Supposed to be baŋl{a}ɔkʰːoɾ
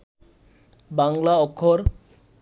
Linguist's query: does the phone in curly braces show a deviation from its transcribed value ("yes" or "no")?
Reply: no